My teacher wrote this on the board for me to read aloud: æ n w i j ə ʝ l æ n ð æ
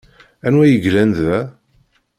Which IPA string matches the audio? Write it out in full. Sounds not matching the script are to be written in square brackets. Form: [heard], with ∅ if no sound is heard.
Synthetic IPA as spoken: æ n w [æ] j ə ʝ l æ n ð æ